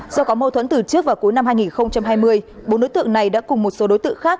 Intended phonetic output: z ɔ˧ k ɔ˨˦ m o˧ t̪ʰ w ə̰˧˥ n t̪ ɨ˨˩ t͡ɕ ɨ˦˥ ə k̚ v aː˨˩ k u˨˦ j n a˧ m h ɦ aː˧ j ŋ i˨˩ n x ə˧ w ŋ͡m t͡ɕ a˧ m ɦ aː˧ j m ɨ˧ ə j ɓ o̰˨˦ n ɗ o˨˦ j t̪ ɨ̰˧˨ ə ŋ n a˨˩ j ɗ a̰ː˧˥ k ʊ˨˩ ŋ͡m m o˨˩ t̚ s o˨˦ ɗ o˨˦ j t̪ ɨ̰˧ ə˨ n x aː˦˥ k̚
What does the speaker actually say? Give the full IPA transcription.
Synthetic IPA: z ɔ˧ k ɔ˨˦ m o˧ t̪ʰ w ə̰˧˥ n t̪ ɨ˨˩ t͡ɕ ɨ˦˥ ə k̚ v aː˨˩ k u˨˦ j n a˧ m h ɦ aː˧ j ŋ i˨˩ n x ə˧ w ŋ͡m t͡ɕ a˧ m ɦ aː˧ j m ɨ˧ ə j ɓ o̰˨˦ n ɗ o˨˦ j t̪ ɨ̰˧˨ ə ŋ n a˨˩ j ɗ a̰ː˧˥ k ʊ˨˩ ŋ͡m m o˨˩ t̚ s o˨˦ ɗ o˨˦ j t̪ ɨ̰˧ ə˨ ŋ x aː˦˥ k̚